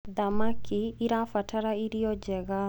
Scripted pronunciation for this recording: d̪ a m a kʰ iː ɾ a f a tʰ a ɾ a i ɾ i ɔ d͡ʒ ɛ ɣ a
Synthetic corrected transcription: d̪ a m a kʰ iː ɾ a f a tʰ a ɾ a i ɾ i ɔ d͡ʒ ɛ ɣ a